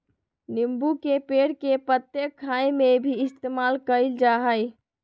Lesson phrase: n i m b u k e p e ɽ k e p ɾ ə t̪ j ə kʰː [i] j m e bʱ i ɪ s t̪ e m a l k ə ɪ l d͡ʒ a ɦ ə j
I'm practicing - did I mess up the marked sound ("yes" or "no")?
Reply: yes